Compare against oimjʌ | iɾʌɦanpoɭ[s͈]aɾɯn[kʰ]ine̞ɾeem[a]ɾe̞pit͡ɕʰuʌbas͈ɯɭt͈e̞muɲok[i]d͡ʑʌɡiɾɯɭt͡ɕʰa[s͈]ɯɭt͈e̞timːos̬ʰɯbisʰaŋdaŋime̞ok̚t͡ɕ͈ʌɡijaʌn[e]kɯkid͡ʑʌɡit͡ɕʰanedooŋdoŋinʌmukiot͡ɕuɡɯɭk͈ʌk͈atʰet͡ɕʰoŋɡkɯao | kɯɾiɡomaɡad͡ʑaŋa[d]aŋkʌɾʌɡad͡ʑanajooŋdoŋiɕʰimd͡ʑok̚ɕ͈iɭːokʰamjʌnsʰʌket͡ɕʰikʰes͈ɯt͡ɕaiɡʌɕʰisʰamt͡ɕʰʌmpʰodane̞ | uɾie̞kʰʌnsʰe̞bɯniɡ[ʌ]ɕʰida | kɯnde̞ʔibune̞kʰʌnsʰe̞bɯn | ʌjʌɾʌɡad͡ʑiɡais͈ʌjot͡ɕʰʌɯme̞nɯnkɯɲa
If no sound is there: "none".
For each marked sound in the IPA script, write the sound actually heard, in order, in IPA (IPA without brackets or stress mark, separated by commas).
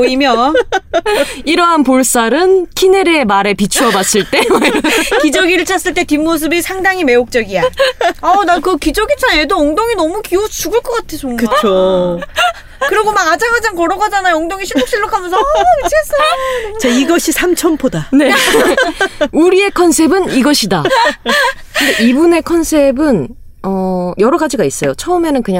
s͈, kʰ, a, i, s͈, a, d͡ʑ, ʌ